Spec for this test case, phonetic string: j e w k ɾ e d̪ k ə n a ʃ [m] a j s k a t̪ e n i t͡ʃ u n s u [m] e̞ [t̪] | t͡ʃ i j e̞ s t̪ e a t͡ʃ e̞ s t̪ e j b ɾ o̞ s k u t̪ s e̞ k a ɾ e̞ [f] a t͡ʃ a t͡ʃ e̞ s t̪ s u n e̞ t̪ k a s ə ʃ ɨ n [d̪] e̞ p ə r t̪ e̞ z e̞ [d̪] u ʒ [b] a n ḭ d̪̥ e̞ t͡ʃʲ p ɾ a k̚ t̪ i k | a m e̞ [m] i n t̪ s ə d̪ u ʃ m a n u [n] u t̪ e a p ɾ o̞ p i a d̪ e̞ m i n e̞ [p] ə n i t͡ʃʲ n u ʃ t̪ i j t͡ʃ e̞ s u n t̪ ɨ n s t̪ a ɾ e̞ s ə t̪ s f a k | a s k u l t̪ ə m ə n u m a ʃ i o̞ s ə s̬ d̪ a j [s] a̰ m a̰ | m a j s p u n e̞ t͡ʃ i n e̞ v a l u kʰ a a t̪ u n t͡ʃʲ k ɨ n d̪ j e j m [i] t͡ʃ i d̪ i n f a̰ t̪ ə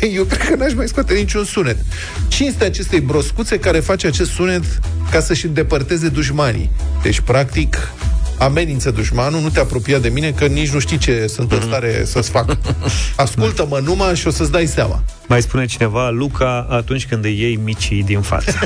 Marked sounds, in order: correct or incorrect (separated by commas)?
correct, incorrect, correct, correct, correct, correct, incorrect, incorrect, correct, incorrect, correct, correct